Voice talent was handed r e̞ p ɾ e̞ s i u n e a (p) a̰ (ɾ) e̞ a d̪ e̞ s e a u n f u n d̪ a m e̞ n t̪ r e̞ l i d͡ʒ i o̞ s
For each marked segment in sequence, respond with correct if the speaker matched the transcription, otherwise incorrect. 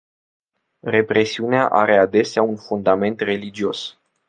incorrect, correct

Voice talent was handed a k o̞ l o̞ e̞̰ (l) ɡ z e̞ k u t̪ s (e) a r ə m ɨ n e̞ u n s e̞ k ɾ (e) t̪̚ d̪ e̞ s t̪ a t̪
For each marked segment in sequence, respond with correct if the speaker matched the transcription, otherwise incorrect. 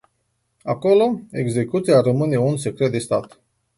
incorrect, incorrect, correct

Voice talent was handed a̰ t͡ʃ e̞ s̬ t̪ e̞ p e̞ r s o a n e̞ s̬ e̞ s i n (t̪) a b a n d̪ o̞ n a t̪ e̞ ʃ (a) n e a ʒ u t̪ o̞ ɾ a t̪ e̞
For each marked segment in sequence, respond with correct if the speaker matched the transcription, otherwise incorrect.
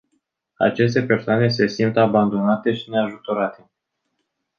correct, incorrect

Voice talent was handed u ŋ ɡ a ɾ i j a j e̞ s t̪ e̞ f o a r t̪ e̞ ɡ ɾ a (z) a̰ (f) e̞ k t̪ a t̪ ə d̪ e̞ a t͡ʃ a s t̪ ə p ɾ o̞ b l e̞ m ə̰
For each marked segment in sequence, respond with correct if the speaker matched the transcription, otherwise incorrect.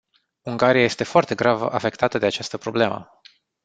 incorrect, correct

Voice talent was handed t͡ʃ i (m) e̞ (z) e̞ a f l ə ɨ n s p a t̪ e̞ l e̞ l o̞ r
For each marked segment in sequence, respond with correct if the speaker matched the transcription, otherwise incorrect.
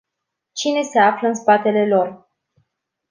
incorrect, incorrect

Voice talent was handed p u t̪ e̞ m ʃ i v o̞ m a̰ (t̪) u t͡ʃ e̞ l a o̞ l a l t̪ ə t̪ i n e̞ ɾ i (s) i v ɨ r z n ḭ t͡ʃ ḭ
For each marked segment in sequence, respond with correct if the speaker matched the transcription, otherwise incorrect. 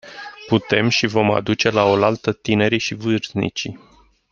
incorrect, incorrect

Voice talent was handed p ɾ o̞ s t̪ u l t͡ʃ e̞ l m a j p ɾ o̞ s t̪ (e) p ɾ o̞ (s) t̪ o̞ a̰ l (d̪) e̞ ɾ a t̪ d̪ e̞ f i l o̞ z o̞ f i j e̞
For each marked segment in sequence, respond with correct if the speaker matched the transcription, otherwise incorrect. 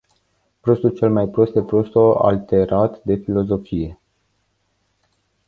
correct, correct, incorrect

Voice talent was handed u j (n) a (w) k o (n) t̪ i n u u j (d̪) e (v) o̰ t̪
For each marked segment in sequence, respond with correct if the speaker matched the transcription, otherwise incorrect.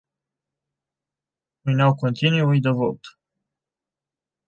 correct, correct, correct, correct, correct

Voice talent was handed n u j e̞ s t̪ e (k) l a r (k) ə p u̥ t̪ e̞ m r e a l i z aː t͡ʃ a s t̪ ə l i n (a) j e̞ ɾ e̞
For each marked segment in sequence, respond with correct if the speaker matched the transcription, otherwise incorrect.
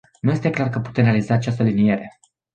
correct, correct, incorrect

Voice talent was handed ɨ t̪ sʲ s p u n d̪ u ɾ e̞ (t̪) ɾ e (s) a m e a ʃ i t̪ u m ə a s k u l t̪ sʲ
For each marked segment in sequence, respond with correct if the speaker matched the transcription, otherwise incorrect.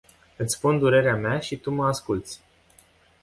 incorrect, incorrect

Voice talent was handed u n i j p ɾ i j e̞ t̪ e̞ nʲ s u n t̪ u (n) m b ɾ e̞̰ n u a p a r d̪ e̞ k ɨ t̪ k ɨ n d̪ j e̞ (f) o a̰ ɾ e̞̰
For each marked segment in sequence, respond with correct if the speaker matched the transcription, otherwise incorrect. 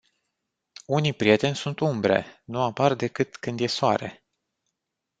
incorrect, incorrect

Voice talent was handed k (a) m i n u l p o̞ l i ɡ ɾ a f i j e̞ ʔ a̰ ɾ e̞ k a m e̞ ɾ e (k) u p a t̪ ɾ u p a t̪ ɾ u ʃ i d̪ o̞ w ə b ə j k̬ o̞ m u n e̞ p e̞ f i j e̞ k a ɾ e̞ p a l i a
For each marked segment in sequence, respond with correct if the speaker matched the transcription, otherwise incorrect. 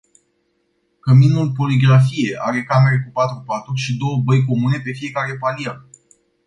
incorrect, correct

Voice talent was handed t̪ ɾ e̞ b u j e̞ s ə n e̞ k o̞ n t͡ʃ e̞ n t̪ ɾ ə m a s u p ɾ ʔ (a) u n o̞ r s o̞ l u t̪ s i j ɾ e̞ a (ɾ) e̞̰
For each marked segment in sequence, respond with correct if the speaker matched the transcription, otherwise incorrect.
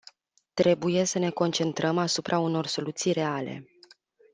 correct, incorrect

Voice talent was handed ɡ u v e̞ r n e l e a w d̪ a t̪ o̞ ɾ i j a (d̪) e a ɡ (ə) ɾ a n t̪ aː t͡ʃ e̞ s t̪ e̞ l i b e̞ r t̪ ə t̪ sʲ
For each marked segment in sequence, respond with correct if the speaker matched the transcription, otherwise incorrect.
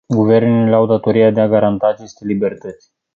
correct, incorrect

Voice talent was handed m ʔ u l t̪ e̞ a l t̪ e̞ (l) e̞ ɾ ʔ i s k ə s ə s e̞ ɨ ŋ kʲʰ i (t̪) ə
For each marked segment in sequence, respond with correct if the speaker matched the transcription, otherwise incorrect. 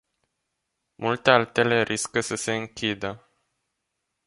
correct, incorrect

